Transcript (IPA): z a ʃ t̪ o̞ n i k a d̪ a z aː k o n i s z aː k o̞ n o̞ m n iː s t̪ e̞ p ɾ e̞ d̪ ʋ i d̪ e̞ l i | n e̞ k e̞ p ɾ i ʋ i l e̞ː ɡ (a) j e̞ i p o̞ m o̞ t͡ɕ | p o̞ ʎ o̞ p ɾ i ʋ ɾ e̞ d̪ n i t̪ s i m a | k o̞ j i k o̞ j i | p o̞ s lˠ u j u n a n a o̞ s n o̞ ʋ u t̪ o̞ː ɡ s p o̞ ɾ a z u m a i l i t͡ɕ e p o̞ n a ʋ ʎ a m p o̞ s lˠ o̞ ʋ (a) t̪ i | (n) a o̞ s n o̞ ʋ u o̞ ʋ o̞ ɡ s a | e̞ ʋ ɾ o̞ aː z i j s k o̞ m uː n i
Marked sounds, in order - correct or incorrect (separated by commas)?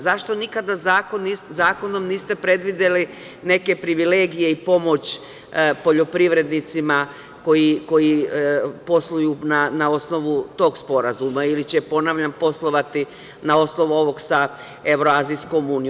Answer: incorrect, correct, correct